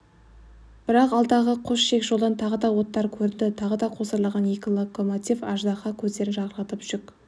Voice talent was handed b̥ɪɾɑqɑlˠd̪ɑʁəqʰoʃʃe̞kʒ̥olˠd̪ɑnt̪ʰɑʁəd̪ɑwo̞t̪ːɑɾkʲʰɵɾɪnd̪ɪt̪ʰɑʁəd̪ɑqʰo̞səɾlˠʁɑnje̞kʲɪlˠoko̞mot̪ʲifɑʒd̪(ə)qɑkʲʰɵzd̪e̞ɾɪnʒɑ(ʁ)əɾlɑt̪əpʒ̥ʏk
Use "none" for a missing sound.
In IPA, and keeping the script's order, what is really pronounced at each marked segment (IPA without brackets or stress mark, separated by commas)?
ɑ, ʁ